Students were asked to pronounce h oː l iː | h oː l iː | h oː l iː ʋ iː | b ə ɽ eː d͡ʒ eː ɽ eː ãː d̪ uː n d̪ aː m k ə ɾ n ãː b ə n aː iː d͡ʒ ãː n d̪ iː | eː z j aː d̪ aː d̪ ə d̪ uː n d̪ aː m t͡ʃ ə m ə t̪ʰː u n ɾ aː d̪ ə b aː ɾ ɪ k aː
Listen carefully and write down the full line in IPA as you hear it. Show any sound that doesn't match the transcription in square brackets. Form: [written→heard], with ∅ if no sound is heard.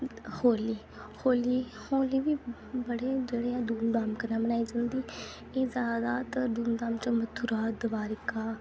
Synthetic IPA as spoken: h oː l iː | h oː l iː | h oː l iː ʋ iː | b ə ɽ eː d͡ʒ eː ɽ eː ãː d̪ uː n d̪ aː m k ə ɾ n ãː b ə n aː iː d͡ʒ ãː n d̪ iː | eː z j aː d̪ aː [d̪→t̪] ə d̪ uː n d̪ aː m t͡ʃ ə m ə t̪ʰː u [n→∅] ɾ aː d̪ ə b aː ɾ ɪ k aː

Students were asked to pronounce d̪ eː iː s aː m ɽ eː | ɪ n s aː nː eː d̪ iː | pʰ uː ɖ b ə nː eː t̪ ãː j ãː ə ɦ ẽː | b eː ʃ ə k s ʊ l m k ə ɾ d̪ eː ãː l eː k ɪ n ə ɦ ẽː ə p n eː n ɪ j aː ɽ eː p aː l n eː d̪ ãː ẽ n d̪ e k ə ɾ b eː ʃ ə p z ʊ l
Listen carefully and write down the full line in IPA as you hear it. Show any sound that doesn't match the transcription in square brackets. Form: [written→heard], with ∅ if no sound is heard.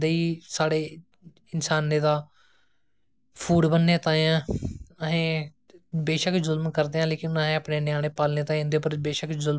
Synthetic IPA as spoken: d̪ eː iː s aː [m→∅] ɽ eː | ɪ n s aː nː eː d̪ [iː→aː] | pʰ uː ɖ b ə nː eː t̪ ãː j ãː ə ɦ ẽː | b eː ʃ ə k [s→z] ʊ l m k ə ɾ d̪ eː ãː l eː k ɪ n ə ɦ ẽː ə p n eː n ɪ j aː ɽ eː p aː l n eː [d̪→t̪] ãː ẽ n d̪ e [k→p] ə ɾ b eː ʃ ə [p→k] z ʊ l

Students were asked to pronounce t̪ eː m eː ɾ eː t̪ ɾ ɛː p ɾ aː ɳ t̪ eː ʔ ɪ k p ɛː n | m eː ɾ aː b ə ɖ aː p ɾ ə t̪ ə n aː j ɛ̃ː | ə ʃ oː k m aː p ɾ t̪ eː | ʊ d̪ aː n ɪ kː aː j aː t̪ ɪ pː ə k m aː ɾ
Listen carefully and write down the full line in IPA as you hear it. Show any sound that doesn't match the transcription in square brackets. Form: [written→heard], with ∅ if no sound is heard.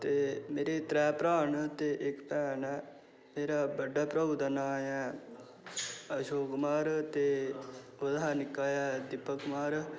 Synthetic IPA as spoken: t̪ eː m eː ɾ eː t̪ ɾ ɛː p ɾ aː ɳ t̪ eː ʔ ɪ k p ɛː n | m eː ɾ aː b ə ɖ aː p ɾ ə [t̪→d̪] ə n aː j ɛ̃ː | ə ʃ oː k m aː [p→∅] ɾ t̪ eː | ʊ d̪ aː n ɪ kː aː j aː [t̪→d̪] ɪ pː ə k m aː ɾ

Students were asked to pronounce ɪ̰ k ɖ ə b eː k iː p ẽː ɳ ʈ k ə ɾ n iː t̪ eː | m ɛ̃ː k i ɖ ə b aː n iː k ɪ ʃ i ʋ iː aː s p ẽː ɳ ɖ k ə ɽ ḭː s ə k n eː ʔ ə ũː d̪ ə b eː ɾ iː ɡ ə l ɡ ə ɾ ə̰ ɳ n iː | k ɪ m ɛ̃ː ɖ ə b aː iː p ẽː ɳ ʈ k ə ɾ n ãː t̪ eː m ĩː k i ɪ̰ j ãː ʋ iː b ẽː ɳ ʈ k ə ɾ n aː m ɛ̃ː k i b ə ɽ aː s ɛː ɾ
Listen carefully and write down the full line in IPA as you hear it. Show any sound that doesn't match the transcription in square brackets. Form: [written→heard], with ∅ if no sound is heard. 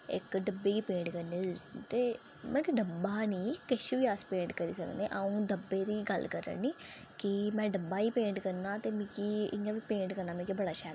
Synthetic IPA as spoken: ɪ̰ k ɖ ə b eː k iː p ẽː ɳ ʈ k ə ɾ n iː t̪ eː | m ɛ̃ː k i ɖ ə b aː n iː k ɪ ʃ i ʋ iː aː s p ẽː ɳ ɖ k ə [ɽ→ɾ] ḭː s ə k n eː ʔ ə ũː d̪ ə b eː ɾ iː ɡ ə l [ɡ→k] ə ɾ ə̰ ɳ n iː | k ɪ m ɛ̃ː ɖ ə b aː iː p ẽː ɳ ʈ k ə ɾ n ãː t̪ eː m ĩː k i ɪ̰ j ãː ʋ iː [b→p] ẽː ɳ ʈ k ə ɾ n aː m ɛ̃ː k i b ə ɽ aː [s→ʃ] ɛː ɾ

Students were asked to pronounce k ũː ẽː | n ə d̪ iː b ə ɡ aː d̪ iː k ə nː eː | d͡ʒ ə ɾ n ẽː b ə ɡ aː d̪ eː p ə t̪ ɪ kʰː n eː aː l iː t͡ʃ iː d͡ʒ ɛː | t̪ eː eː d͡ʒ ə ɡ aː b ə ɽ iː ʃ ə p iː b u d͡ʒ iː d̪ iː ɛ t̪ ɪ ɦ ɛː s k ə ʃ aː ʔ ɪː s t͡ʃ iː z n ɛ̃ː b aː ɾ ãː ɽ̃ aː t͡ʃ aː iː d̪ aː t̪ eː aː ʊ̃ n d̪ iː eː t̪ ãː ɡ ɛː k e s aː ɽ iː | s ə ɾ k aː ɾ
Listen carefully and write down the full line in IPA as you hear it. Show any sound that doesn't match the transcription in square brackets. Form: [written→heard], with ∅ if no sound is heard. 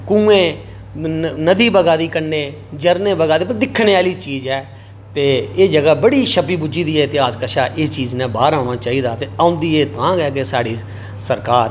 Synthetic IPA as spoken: k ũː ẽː | n ə d̪ iː b ə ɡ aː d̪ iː k ə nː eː | d͡ʒ ə ɾ n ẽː b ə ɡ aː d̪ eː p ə [t̪→d̪] ɪ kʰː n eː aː l iː t͡ʃ iː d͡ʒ ɛː | t̪ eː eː d͡ʒ ə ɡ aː b ə ɽ iː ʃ ə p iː b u d͡ʒ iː d̪ iː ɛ t̪ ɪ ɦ [ɛː→aː] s k ə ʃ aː ʔ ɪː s t͡ʃ iː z n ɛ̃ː b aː ɾ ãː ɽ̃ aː t͡ʃ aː iː d̪ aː t̪ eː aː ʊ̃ n d̪ iː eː t̪ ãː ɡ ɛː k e s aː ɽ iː | s ə ɾ k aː ɾ

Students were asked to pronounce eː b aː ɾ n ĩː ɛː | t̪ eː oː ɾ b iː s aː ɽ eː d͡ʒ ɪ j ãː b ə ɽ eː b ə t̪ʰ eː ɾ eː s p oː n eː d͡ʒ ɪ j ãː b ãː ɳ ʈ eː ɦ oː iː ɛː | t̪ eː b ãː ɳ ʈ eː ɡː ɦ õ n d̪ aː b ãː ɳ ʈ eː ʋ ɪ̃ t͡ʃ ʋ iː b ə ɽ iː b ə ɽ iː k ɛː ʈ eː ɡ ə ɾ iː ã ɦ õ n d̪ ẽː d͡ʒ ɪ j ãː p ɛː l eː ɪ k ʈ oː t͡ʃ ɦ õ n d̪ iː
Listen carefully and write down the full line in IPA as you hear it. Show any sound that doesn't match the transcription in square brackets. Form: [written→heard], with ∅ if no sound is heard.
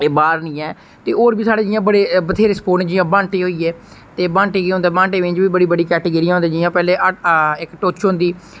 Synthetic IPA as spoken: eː b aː ɾ n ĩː ɛː | t̪ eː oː ɾ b iː s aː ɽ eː d͡ʒ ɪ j ãː b ə ɽ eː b ə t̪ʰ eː ɾ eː s p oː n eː d͡ʒ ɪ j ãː b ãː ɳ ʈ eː ɦ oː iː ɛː | t̪ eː b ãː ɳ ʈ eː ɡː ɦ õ n d̪ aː b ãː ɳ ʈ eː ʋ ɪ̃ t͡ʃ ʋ iː b ə ɽ iː b ə ɽ iː k ɛː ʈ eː ɡ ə ɾ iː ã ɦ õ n d̪ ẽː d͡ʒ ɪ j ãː p ɛː l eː ɪ k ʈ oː t͡ʃ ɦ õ n d̪ iː

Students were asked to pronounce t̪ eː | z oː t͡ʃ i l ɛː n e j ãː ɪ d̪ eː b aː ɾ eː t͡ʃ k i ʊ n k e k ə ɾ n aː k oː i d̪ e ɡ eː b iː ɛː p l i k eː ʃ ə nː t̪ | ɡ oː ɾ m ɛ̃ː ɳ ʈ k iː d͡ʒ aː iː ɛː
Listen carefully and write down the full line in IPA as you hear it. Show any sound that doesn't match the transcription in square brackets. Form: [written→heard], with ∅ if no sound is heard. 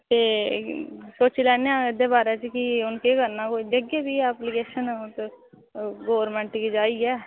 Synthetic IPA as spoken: t̪ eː | [z→s] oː t͡ʃ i l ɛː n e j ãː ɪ d̪ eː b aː ɾ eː t͡ʃ k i ʊ n k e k ə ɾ n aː k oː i d̪ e ɡ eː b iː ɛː p l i k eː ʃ ə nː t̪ | ɡ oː ɾ m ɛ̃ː ɳ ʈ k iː d͡ʒ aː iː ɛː

